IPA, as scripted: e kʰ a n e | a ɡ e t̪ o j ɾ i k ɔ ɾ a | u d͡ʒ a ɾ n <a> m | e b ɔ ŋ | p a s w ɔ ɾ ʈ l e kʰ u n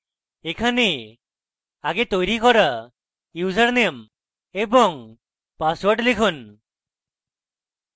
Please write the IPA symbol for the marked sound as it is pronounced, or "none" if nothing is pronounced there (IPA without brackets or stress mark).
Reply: e